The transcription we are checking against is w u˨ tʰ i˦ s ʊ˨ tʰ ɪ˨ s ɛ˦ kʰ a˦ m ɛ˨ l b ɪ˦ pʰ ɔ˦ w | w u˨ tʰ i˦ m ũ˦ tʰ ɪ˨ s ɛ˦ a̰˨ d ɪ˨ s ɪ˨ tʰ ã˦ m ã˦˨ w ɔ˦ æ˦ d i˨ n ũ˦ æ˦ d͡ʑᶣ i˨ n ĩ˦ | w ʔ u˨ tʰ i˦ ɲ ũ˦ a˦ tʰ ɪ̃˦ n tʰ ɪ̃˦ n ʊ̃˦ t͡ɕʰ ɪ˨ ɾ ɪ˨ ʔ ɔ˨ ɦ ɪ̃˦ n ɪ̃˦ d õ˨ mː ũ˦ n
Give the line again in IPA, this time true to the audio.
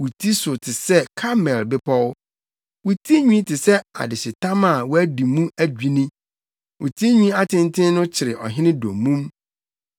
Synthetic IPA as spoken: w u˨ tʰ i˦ s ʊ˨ tʰ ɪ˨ s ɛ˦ kʰ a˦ m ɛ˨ l b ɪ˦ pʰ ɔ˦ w | w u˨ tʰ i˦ ɲ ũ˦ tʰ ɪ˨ s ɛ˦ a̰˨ d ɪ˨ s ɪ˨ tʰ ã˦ m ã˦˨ w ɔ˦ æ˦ d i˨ m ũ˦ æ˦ d͡ʑᶣ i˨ n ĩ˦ | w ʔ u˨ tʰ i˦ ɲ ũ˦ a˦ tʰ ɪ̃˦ n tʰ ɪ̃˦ n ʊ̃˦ t͡ɕʰ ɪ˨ ɾ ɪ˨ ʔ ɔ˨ ɦ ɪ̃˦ n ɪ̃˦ d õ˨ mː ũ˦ m